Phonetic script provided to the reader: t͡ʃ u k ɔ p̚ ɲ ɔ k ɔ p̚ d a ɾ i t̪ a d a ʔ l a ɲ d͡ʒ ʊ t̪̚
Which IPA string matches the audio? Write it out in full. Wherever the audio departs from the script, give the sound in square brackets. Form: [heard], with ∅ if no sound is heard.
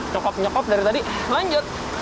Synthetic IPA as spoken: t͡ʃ [ɔ] k ɔ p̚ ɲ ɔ k ɔ p̚ d a ɾ i t̪ a d [i] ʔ l a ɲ d͡ʒ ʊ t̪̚

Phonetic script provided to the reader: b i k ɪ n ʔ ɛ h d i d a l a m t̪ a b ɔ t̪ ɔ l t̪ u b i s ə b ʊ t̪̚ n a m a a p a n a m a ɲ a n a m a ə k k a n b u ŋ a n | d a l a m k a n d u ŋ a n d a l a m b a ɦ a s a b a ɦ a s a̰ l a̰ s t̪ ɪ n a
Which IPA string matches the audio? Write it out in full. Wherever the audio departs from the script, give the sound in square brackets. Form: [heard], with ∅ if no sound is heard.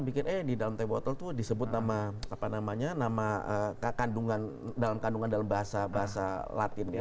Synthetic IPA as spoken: b i k ɪ n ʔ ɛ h d i d a l a m t̪ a b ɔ t̪ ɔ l t̪ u [d] i s ə b ʊ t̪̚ n a m a a p a n a m a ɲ a n a m a ə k k a n [d] u ŋ a n | d a l a m k a n d u ŋ a n d a l a m b a ɦ a s a b a ɦ a s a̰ l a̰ [∅] t̪ ɪ n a

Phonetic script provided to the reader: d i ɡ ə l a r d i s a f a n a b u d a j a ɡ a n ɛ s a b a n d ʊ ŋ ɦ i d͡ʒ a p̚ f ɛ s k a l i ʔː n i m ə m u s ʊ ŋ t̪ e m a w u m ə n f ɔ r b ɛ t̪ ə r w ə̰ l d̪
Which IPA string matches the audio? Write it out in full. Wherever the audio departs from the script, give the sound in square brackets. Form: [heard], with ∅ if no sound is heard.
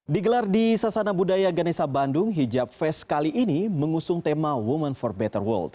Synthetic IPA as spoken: d i ɡ ə l a r d i s a [s] a n a b u d a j a ɡ a n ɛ s a b a n d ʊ ŋ ɦ i d͡ʒ a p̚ f ɛ s k a l i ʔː n i m ə [ŋ] u s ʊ ŋ t̪ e m a w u m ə n f ɔ r b ɛ t̪ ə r w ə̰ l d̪

